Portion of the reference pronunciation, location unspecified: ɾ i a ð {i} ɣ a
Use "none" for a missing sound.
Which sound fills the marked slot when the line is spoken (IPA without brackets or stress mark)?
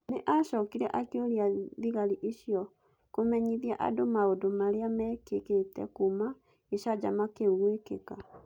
i